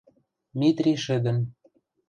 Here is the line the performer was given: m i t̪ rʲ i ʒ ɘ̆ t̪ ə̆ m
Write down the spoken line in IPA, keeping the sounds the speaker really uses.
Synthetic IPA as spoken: m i t̪ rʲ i ʃ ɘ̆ d̪ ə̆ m